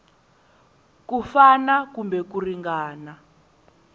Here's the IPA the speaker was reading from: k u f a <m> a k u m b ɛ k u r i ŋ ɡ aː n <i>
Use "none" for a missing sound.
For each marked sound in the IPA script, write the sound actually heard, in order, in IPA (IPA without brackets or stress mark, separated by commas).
n, a